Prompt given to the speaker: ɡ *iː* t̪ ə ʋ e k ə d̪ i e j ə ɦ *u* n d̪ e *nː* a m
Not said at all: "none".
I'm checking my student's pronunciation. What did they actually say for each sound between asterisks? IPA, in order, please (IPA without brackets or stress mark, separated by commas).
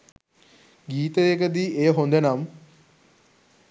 iː, o, n